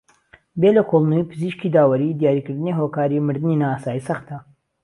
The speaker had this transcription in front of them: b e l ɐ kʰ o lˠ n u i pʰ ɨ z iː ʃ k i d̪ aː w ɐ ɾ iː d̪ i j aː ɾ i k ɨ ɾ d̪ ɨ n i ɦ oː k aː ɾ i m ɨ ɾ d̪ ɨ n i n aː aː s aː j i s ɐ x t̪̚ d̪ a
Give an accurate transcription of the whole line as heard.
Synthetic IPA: b e l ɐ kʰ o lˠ n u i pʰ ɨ z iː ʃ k i d̪ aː w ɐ ɾ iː d̪ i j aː ɾ i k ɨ ɾ d̪ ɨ n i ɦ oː k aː ɾ i m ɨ ɾ d̪ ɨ n i n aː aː s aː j i s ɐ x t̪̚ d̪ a